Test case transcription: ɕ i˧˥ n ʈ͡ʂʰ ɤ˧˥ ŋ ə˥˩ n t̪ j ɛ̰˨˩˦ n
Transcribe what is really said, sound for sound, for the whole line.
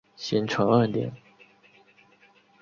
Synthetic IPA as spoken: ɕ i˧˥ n ʈ͡ʂʰ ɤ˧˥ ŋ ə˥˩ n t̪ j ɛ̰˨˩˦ n

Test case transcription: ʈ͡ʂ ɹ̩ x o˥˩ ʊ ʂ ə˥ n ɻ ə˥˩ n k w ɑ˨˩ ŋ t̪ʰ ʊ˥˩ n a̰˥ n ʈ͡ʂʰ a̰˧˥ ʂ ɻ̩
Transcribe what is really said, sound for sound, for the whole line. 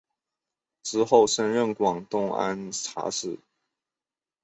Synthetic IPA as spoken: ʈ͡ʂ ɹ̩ x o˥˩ ʊ ʂ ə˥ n ɻ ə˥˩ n k w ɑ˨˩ ŋ t̪ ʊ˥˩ ŋ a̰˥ n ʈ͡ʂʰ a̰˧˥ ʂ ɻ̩

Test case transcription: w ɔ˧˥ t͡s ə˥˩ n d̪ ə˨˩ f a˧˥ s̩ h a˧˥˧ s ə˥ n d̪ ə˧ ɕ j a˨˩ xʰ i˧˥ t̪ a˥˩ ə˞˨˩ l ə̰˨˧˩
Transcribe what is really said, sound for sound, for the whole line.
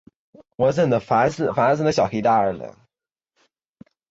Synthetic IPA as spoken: w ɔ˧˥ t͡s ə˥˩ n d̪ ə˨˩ f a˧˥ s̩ f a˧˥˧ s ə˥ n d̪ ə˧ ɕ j ɑ˨˩ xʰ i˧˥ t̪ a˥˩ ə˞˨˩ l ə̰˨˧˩

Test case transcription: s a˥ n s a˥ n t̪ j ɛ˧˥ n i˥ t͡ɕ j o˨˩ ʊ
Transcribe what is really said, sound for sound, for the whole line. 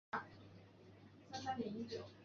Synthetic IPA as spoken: s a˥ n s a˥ n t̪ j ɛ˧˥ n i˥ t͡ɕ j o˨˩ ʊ

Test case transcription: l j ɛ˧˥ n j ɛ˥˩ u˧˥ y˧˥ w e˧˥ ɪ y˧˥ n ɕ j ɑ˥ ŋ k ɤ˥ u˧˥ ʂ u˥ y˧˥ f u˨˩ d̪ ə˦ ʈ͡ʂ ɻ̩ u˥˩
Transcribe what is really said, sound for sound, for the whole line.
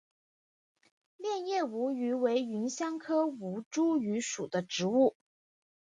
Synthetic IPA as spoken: l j ɛ˥˧ n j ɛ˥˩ u˧˥ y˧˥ w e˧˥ ɪ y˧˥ n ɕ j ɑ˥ ŋ kʰ ɤ˥ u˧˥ ʈ͡ʂ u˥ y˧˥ ʂ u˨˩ d̪ ə˦ ʈ͡ʂ ɻ̩ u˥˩

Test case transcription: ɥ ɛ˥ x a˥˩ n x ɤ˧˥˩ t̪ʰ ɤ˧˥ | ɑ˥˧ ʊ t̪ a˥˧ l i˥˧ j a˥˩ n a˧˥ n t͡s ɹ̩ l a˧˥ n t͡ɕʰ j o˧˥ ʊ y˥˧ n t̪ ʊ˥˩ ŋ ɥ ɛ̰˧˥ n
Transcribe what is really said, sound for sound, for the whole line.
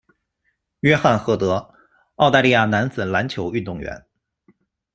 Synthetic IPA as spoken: ɥ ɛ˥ x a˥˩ n x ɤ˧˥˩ t̪ ɤ˧˥ | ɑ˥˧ ʊ t̪ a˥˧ l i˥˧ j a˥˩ n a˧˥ n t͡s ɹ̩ l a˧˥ n t͡ɕʰ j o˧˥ ʊ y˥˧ n t̪ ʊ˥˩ ŋ ɥ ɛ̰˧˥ n

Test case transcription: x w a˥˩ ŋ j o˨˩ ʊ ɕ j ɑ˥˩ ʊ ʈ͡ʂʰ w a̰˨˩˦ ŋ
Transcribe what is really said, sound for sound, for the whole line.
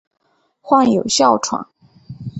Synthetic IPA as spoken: x w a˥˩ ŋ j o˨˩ ʊ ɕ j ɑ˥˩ ʊ ʈ͡ʂʰ w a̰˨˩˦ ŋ

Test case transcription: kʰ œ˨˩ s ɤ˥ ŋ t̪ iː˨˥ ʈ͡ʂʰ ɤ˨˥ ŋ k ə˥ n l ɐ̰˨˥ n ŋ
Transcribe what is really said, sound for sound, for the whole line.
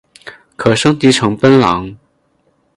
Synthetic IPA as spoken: kʰ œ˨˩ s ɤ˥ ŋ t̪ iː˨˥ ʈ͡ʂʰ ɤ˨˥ ŋ p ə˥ n l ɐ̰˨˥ ŋ

